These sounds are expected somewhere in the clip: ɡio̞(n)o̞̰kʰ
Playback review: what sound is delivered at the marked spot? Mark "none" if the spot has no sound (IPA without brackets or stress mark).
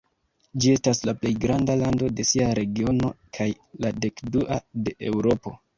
n